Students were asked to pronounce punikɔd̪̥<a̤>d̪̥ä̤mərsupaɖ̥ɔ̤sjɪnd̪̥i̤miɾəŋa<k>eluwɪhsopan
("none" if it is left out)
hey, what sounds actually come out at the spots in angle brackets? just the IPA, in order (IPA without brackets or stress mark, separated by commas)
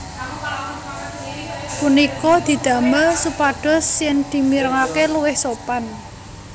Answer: i̤, k